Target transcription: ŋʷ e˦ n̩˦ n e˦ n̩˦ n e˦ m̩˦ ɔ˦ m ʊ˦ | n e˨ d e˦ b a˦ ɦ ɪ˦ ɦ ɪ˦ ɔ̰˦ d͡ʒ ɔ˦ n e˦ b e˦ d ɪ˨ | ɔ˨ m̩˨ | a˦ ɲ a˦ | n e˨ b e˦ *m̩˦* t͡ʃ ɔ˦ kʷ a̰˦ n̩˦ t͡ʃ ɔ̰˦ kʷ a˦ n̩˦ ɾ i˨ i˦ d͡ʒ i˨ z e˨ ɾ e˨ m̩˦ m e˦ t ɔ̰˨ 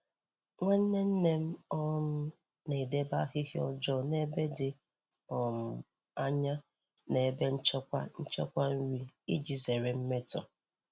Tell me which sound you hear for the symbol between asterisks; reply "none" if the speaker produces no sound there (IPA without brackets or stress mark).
n̩˦